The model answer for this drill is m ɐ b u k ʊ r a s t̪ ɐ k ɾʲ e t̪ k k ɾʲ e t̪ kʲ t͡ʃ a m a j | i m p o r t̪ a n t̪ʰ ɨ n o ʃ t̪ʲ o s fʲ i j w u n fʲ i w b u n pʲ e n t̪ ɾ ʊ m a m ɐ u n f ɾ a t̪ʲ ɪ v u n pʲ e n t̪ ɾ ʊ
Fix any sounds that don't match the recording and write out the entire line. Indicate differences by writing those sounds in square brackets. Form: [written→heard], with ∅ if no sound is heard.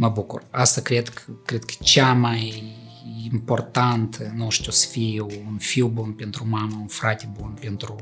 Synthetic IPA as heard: m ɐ b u k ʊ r a s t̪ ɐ k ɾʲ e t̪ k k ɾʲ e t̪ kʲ t͡ʃ a m a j | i m p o r t̪ a n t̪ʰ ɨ n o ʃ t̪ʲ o s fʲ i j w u n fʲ i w b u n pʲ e n t̪ ɾ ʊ m a m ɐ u n f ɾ a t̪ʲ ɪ [v→b] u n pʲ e n t̪ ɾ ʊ